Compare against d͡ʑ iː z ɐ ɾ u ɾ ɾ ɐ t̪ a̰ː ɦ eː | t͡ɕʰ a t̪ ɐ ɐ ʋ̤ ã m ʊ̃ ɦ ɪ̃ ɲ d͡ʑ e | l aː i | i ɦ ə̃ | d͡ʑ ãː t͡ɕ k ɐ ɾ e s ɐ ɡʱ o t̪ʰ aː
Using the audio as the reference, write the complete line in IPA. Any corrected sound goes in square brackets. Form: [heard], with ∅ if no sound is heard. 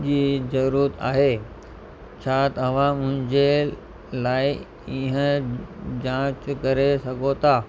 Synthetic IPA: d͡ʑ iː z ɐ ɾ u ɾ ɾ [ə] t̪ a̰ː ɦ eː | t͡ɕʰ a t̪ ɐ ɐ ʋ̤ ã m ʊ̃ ɦ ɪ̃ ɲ d͡ʑ e | l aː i | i ɦ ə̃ | d͡ʑ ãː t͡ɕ k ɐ ɾ e s ɐ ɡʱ o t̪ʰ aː

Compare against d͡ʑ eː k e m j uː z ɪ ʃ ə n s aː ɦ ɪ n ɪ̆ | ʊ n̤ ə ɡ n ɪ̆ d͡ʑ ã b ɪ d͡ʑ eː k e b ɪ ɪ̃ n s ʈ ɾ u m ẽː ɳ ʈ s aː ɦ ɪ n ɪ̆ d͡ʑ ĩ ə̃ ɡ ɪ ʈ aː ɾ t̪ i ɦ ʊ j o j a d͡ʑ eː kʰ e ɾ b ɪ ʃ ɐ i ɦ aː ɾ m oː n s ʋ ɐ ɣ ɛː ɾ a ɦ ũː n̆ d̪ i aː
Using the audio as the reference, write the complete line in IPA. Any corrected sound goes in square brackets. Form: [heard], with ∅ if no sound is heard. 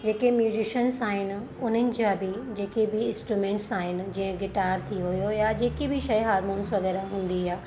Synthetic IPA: d͡ʑ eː k e m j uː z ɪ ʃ ə n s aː ɦ ɪ n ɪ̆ | ʊ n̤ ə [∅] n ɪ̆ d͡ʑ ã b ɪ d͡ʑ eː k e b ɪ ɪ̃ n s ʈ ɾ u m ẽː ɳ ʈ s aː ɦ ɪ n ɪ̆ d͡ʑ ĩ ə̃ ɡ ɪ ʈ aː ɾ [t̪ʰ] i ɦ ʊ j o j a d͡ʑ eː [k] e [∅] b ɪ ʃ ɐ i ɦ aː ɾ m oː n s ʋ ɐ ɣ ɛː ɾ a ɦ ũː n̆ d̪ i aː

